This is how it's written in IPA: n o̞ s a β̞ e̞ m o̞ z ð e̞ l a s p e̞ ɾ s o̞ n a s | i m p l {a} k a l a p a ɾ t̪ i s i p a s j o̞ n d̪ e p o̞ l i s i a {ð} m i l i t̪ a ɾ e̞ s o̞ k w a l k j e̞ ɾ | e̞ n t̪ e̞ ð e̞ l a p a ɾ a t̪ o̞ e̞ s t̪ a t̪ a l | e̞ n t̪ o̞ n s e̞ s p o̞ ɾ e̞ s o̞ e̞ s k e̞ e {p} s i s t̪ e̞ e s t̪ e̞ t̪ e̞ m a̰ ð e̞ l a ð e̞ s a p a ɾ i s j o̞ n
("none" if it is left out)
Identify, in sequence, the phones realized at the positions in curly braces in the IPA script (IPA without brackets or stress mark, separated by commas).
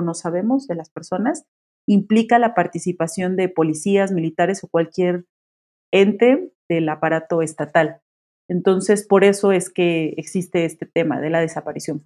i, z, k